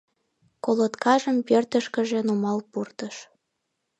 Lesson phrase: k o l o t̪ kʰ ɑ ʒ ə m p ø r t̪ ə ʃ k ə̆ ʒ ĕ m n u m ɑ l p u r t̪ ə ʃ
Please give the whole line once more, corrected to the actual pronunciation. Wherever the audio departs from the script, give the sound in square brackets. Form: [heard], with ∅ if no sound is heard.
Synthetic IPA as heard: k o l o t̪ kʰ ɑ ʒ ə m p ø r t̪ ə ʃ k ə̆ ʒ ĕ [∅] n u m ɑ l p u r t̪ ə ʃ